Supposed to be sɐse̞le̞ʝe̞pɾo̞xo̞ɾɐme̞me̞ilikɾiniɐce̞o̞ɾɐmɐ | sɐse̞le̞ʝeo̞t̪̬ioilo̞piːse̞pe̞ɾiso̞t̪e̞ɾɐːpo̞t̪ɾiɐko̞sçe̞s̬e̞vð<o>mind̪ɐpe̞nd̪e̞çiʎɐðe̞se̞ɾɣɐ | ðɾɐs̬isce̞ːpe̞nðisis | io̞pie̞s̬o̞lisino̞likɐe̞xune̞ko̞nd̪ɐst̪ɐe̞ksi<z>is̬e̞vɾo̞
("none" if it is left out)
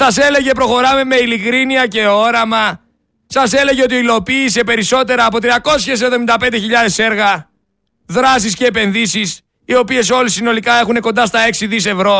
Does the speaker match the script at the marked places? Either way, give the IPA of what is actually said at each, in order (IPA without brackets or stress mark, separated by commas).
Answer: o, ð